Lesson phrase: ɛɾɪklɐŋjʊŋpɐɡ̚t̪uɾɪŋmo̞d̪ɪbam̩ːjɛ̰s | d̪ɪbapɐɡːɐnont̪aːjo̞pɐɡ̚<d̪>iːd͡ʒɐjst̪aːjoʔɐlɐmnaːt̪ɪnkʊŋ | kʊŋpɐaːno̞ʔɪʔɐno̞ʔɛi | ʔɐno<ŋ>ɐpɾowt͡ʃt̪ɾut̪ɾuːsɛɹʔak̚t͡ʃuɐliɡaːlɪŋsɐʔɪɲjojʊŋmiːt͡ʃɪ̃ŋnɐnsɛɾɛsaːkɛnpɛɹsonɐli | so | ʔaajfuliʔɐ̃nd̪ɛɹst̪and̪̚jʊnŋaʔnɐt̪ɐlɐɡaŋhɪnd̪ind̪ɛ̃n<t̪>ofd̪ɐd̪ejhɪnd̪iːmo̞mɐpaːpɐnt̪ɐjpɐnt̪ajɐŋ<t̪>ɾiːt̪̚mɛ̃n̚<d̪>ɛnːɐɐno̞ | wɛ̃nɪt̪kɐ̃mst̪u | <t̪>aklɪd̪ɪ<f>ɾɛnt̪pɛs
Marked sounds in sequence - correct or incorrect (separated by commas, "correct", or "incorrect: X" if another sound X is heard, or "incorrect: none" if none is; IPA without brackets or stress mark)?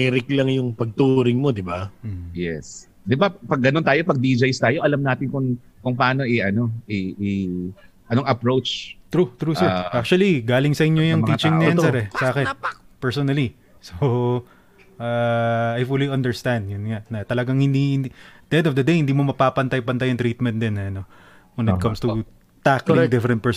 correct, correct, incorrect: d̪, correct, correct, correct, correct